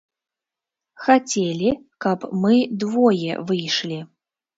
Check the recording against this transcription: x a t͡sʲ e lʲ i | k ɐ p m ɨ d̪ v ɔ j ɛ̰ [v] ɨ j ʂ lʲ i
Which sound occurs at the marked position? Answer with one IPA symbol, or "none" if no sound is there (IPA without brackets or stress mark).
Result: v